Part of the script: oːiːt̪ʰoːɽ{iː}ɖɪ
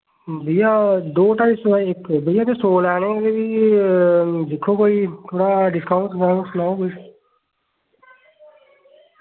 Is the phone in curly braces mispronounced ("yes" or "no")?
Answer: yes